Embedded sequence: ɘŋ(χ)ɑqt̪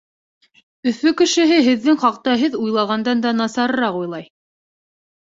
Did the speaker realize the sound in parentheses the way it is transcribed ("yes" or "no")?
yes